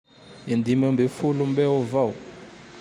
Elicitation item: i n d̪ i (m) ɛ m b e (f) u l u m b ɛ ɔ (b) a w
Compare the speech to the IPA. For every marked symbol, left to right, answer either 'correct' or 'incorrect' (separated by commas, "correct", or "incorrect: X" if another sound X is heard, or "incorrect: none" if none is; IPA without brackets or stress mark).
correct, correct, incorrect: v